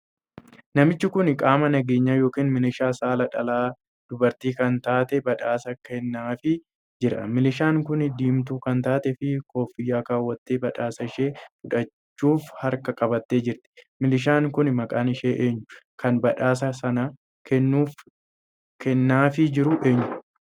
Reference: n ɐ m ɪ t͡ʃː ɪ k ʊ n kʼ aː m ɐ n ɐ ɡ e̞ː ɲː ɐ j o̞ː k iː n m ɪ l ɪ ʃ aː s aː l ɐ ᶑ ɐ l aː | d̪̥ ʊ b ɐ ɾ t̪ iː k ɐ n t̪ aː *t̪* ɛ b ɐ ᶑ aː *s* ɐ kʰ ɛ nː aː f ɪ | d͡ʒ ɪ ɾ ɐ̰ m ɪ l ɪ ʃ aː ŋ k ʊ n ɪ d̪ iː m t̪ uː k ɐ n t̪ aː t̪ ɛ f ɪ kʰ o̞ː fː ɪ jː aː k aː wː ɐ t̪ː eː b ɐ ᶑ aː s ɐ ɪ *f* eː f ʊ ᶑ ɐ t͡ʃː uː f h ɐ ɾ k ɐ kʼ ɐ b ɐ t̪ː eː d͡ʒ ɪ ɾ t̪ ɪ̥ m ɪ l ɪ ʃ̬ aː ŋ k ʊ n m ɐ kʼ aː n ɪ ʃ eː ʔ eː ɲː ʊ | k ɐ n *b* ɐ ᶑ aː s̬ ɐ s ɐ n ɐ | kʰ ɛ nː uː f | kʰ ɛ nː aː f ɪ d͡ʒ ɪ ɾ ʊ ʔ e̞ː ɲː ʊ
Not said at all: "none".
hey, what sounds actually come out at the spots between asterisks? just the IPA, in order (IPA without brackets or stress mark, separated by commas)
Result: t̪, s, ʃ, b